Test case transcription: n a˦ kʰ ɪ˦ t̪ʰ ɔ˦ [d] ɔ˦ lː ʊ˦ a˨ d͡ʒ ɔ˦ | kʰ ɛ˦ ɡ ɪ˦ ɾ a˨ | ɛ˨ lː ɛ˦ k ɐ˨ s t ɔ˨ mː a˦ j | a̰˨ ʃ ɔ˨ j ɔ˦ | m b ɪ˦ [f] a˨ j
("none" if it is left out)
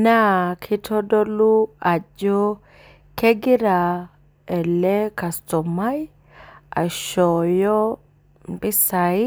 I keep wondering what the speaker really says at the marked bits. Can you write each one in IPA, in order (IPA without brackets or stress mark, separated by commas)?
d, s